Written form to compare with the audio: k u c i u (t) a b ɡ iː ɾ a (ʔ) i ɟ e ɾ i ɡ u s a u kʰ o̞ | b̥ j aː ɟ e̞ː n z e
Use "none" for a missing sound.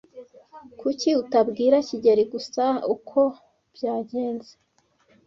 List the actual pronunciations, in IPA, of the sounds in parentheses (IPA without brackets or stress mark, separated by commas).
t, c